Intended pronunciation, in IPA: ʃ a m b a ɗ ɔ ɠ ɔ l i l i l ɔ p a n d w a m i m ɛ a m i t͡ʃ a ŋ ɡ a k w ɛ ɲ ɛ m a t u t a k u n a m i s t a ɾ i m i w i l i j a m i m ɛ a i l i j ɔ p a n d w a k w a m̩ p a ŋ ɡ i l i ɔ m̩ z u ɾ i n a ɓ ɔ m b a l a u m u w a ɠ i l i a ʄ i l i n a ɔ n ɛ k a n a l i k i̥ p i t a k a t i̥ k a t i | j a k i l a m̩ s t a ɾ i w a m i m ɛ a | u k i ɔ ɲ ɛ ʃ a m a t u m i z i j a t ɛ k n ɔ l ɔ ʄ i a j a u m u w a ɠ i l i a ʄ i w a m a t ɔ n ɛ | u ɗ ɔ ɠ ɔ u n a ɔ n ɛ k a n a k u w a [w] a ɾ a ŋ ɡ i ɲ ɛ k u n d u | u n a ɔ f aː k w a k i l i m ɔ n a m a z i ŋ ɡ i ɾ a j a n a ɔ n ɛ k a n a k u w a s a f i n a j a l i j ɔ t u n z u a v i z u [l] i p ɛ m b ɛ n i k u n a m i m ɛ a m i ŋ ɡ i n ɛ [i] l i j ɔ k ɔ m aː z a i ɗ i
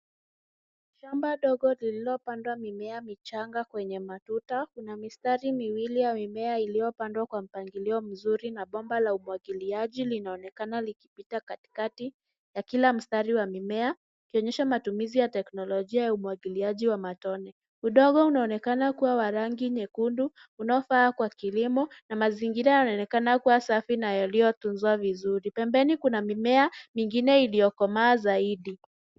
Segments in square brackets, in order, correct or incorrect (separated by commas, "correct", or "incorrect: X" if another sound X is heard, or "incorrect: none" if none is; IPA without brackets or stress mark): correct, incorrect: ɾ, correct